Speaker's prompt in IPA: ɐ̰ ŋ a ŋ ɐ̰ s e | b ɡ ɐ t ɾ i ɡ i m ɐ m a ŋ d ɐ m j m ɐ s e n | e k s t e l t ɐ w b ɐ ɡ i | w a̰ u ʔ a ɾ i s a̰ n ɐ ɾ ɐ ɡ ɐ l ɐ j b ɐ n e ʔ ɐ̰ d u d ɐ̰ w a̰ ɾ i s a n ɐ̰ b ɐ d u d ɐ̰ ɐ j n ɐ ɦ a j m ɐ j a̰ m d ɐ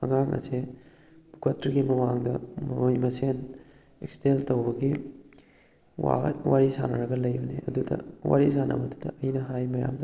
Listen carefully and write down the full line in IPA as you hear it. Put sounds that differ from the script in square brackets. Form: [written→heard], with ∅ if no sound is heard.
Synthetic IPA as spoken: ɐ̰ ŋ a ŋ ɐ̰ s e | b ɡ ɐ t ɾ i ɡ i m ɐ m a ŋ d ɐ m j m ɐ s e n | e k s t e l t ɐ w b ɐ ɡ i | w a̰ [u→w] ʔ a ɾ i s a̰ n ɐ ɾ ɐ ɡ ɐ l ɐ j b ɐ n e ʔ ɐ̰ d u d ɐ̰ w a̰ ɾ i s a n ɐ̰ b ɐ d u d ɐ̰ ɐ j n ɐ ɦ a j m ɐ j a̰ m d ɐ